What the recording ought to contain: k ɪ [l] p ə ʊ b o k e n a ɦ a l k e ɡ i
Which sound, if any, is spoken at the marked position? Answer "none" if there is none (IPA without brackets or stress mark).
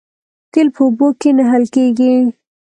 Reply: l